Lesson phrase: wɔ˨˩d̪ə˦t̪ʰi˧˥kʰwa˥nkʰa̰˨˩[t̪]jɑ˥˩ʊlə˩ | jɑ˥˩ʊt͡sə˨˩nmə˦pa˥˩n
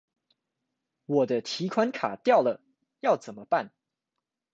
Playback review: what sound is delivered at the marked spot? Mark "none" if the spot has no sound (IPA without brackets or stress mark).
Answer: t̪